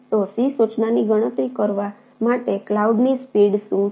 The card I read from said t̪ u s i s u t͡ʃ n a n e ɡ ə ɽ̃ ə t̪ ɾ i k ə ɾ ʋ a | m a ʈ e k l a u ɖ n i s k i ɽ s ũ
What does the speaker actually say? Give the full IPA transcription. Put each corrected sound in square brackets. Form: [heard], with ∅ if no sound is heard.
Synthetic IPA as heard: t̪ [o] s i s u t͡ʃ n a n [i] ɡ ə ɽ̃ ə t̪ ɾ i k ə ɾ ʋ a | m a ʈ e k l a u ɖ n i s [p] i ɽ s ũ

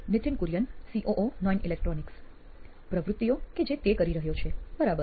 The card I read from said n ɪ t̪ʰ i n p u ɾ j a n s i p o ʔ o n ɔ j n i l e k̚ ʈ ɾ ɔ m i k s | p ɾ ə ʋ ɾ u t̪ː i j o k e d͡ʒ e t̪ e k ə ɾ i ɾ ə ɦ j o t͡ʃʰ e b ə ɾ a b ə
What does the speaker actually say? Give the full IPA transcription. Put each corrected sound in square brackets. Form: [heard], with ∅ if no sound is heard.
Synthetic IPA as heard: n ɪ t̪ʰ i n [k] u ɾ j [ə] n s i [ʔ] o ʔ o n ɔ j n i l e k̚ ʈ ɾ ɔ [n] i k s | p ɾ ə ʋ ɾ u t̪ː i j o k e d͡ʒ e t̪ e k ə ɾ i ɾ ə ɦ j o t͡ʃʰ e b ə ɾ a b ə

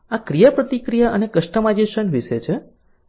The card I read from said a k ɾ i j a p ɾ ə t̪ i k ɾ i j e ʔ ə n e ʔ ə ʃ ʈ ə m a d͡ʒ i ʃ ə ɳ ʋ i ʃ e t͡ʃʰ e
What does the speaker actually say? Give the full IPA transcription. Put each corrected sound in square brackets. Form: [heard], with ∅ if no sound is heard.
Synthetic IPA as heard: a k ɾ i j a p ɾ ə t̪ i k ɾ i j [a] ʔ ə n e [k] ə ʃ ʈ ə m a d͡ʒ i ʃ ə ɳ ʋ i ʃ e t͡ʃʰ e

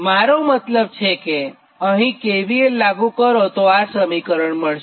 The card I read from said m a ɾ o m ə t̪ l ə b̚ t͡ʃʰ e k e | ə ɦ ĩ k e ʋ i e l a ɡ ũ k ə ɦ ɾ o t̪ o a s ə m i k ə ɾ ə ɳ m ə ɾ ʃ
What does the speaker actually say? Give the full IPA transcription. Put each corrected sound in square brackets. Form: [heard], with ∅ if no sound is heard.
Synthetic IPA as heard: m a ɾ o m ə t̪ l ə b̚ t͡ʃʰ e k e | ə ɦ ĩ k e ʋ i e l a ɡ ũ k ə [∅] ɾ o t̪ o a s ə m i k ə ɾ ə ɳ m ə [ɭ] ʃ

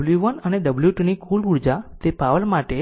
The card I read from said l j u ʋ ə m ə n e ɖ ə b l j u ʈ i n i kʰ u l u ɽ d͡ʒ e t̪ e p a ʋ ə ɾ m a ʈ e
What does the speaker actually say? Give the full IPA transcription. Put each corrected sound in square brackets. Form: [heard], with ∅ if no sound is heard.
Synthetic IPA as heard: l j u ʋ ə [n] ə n e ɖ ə b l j u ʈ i n i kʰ u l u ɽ d͡ʒ [a] t̪ e p a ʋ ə [l] m a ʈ e

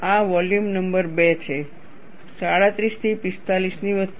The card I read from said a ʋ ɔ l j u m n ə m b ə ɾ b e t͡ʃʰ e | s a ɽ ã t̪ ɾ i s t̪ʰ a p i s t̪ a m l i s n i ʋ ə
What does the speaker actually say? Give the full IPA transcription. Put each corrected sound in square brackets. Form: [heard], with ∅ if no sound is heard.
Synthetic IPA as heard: a ʋ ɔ l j u m n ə m b ə ɾ b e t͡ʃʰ e | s a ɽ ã t̪ ɾ i s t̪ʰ [i] p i s t̪ a [∅] l i s n i ʋ ə

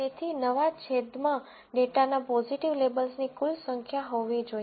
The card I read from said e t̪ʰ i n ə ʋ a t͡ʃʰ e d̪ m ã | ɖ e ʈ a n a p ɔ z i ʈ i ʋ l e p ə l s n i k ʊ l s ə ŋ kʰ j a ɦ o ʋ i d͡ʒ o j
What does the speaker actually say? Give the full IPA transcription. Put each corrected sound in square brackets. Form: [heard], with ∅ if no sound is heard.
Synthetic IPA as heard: e t̪ʰ i n ə ʋ a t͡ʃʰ e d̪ m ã | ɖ e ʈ a n a p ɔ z i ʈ i ʋ l e [b] ə l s n i k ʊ l s ə ŋ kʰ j a ɦ o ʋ i d͡ʒ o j

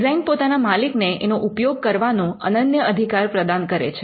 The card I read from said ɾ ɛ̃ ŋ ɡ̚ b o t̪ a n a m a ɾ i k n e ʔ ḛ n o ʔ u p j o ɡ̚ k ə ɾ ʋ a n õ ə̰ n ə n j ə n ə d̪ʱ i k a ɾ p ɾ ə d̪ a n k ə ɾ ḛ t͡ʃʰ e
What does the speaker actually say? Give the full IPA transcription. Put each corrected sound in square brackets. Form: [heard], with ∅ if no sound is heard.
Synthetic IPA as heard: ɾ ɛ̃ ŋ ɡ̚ [p] o t̪ a n a m a [l] i k n e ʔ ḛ n o ʔ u p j o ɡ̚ k ə ɾ ʋ a n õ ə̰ n ə n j ə [∅] ə d̪ʱ i k a ɾ p ɾ ə d̪ a n k ə ɾ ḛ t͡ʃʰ e

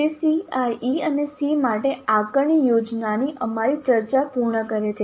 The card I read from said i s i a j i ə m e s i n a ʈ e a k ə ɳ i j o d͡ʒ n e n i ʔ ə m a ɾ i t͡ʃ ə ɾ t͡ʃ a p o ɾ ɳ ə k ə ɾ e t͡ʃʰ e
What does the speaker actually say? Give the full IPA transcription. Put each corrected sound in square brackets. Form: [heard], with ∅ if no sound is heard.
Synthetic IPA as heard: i s i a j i ə [n] e s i [m] a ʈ e a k ə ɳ i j o d͡ʒ n [a] n i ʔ ə m a ɾ i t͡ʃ ə ɾ t͡ʃ a p [u] ɾ ɳ ə k ə ɾ e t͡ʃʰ e

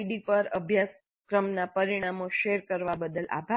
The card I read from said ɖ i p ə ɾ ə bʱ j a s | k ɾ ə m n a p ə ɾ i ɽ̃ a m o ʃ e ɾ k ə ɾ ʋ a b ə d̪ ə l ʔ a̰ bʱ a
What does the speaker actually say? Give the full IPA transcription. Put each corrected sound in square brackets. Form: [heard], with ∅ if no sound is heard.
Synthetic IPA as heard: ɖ i p ə ɾ ə bʱ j a s | k ɾ ə m n a p ə ɾ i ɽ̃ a m o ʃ e ɾ k ə ɾ ʋ a b ə d̪ ə l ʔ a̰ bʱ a

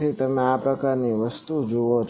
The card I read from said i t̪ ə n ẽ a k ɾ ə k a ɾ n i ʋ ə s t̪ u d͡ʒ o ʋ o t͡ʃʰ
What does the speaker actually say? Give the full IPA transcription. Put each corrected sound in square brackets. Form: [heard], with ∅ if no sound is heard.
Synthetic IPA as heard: i t̪ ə [m] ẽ a [p] ɾ ə k a ɾ n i ʋ ə s t̪ u d͡ʒ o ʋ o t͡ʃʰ

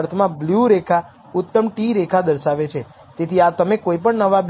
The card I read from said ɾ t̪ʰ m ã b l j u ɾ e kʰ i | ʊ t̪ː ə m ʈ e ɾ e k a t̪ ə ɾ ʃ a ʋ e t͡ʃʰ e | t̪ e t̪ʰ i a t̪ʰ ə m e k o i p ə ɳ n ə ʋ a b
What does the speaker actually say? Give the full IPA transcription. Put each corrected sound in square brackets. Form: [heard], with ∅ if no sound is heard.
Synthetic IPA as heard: ɾ t̪ʰ m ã b l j u ɾ e kʰ [a] | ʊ t̪ː ə m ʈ [i] ɾ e [kʰ] a [d̪] ə ɾ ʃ a ʋ e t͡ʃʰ e | t̪ e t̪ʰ i a [t̪] ə m e k o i p ə ɳ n ə ʋ a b

